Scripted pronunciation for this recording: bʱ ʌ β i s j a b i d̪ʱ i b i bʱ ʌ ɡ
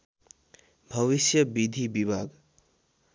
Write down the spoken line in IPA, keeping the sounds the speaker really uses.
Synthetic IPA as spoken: bʱ ʌ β i s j ʌ b i d̪ʱ i b i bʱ a ɡ